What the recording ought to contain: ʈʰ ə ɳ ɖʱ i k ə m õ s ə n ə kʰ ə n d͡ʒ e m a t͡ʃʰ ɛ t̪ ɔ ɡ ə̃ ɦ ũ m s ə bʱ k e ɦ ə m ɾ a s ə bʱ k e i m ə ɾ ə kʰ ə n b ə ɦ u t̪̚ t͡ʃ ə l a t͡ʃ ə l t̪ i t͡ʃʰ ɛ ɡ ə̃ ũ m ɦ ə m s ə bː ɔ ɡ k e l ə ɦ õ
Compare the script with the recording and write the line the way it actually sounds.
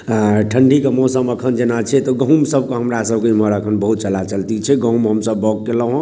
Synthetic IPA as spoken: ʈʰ ə ɳ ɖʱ i k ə m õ s ə m ə kʰ ə n d͡ʒ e n a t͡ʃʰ ɛ t̪ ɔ ɡ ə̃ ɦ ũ m s ə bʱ k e ɦ ə m ɾ a s ə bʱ k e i m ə ɾ ə kʰ ə n b ə ɦ u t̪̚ t͡ʃ ə l a t͡ʃ ə l t̪ i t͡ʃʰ ɛ ɡ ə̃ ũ m ɦ ə m s ə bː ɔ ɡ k e l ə ɦ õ